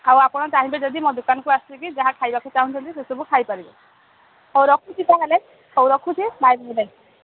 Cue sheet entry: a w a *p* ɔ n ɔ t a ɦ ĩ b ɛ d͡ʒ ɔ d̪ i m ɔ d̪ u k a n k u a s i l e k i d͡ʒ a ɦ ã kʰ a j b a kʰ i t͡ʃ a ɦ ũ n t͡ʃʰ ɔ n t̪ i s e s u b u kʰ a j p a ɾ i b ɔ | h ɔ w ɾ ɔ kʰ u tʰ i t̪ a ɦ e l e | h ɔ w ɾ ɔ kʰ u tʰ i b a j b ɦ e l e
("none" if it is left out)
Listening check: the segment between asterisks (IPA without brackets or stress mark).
p